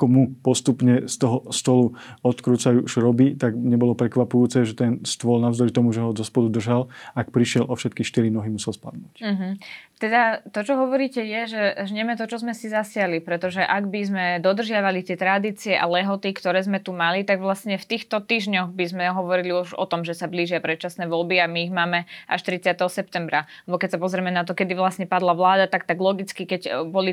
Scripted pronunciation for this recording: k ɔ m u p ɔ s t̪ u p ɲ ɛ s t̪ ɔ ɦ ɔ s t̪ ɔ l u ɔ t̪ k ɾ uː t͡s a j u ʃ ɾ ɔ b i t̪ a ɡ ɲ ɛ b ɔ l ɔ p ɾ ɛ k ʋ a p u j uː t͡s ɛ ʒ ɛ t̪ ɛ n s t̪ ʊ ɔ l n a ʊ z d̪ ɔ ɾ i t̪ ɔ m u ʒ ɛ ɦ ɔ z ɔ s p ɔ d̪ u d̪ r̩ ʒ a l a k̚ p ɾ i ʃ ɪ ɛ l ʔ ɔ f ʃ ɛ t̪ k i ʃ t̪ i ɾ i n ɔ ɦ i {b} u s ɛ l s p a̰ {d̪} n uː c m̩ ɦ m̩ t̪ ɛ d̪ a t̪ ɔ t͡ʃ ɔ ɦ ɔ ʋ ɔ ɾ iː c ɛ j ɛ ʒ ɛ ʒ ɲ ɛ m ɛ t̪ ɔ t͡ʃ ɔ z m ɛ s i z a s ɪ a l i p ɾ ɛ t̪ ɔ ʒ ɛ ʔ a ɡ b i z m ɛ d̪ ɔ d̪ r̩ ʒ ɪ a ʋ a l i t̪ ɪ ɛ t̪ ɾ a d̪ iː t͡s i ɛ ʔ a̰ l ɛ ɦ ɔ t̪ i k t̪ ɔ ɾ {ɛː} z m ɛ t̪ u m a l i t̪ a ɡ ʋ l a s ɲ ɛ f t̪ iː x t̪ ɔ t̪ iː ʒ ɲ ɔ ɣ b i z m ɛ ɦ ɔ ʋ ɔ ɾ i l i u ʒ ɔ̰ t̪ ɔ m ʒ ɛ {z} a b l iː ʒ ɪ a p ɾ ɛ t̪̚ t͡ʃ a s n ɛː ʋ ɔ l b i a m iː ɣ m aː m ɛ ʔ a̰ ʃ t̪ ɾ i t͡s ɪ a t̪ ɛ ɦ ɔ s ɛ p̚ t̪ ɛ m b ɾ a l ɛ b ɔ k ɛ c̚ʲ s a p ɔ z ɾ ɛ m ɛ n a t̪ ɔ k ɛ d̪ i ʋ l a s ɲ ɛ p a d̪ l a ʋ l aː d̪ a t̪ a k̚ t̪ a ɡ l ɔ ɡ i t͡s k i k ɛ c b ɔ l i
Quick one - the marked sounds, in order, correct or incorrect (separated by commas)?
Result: incorrect, correct, correct, incorrect